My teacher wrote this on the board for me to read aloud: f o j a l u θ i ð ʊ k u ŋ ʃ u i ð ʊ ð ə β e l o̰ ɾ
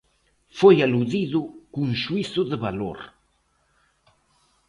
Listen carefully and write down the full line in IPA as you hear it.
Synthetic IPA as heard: f o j a l u ð i ð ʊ k u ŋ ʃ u i θ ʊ ð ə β a l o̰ ɾ